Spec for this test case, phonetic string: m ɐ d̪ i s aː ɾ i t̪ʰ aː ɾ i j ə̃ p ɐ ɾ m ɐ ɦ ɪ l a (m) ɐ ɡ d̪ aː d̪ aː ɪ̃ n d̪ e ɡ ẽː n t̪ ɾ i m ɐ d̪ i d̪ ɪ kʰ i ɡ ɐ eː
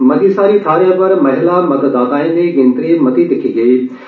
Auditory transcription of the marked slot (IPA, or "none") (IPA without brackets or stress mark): m